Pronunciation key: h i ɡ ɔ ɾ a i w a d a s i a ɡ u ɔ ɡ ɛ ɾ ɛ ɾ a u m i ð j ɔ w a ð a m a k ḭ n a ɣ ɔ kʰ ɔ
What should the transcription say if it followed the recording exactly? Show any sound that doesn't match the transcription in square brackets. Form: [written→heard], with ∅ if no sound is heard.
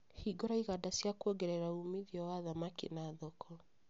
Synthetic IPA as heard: h i ɡ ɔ ɾ a i [w→ɣ] a d a s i a [ɡ→k] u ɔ ɡ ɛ ɾ ɛ ɾ a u m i ð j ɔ w a ð a m a k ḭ n a [ɣ→ð] ɔ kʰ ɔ